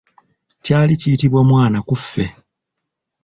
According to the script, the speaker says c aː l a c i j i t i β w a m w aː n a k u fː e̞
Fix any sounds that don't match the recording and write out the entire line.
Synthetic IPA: c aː l i c i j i t i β w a m w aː n a k u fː e̞